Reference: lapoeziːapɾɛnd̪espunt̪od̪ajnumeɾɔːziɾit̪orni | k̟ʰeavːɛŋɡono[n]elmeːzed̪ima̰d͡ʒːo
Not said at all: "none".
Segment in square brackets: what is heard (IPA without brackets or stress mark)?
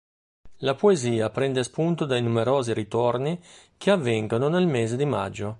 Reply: n